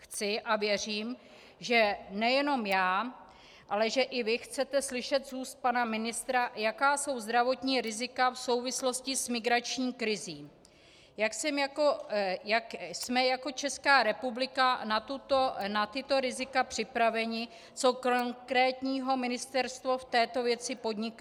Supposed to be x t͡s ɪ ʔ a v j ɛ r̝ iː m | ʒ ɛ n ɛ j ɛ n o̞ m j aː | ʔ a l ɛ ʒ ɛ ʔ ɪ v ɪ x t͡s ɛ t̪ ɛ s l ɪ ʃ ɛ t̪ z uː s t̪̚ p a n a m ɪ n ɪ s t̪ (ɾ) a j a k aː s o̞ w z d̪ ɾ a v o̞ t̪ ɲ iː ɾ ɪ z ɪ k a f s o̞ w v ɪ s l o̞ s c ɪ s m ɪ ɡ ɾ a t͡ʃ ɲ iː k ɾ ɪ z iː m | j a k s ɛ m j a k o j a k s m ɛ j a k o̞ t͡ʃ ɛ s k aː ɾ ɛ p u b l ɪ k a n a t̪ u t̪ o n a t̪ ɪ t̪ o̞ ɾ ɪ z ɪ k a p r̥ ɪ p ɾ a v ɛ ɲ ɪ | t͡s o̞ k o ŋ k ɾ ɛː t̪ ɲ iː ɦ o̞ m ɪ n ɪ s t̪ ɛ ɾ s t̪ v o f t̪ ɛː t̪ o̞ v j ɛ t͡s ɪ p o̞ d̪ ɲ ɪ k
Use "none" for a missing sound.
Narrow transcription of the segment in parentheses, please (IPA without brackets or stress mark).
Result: ɾ